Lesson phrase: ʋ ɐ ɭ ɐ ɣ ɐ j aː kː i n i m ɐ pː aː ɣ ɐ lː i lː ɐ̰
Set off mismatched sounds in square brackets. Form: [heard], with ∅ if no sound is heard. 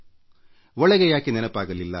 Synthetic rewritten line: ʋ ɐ ɭ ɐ ɣ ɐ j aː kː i n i [n] ɐ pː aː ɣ ɐ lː i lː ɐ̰